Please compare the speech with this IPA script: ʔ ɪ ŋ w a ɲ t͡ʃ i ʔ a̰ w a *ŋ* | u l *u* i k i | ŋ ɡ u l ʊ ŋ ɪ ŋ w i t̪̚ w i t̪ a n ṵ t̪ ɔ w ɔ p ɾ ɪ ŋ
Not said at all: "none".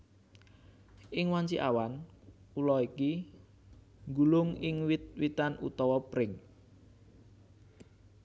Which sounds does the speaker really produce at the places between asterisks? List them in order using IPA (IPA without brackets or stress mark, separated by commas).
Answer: n, ɔ